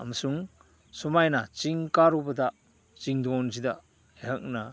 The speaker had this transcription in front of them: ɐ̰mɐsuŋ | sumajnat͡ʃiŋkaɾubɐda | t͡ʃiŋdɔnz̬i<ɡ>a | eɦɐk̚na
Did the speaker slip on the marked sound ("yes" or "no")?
yes